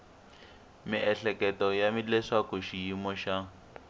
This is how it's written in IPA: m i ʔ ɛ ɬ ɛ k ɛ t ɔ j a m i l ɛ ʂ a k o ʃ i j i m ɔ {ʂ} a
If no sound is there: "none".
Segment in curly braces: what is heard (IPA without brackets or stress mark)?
ʃ